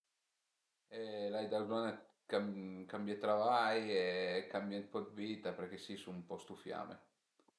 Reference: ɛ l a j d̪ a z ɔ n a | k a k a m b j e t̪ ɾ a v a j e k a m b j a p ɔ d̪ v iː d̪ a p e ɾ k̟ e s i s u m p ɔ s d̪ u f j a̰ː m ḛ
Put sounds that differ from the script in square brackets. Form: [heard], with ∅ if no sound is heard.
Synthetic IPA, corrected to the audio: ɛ l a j d̪ a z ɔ n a | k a k a m b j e t̪ ɾ a v a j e k a m b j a p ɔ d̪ v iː [t̪] a p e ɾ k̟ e s i s u m p ɔ s [t̪] u f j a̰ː m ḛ